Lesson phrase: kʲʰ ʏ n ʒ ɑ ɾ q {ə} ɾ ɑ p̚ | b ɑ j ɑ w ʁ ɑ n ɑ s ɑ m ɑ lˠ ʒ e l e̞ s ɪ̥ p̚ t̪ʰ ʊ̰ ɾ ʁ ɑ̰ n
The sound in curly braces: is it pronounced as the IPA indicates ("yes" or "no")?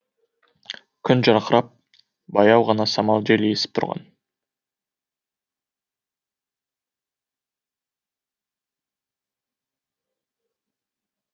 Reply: yes